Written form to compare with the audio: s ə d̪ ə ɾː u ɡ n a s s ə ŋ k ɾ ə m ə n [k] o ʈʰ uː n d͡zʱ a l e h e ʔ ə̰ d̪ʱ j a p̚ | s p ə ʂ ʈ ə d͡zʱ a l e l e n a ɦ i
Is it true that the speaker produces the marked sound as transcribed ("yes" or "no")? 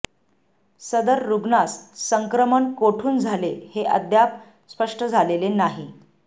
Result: yes